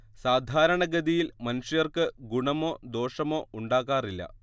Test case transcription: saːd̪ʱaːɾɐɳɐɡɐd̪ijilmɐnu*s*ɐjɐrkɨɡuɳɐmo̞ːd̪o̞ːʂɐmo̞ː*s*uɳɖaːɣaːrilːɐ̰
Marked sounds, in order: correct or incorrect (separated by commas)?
incorrect, incorrect